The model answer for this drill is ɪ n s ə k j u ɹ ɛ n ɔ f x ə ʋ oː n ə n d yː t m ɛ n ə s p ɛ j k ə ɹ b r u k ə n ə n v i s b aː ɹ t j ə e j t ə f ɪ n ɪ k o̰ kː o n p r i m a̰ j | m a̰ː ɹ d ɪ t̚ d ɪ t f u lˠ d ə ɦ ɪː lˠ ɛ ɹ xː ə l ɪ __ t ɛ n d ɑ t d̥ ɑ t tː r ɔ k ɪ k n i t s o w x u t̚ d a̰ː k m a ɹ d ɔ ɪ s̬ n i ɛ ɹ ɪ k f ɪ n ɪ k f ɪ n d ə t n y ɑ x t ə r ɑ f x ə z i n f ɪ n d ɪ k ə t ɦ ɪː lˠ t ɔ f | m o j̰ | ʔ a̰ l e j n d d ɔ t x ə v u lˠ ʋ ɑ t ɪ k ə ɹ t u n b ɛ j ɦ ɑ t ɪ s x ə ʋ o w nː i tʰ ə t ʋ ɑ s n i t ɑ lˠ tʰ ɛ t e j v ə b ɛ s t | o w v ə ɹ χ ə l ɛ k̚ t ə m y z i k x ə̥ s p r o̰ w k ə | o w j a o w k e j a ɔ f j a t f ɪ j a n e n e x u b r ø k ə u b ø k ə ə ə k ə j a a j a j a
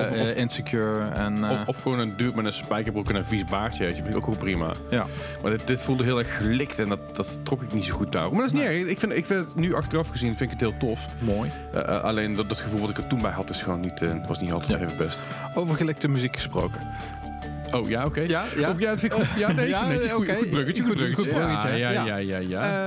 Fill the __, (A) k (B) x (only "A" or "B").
A